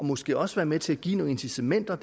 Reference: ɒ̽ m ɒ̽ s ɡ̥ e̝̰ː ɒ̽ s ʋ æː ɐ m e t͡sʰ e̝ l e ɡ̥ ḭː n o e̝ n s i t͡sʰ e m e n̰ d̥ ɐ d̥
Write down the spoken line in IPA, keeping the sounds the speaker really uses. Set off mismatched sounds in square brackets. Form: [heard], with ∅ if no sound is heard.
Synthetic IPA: ɒ̽ m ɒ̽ s ɡ̥ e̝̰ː ɒ̽ s ʋ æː ɐ m e t͡sʰ e̝ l [æ] ɡ̥ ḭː n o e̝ n s i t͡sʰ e m e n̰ d̥ ɐ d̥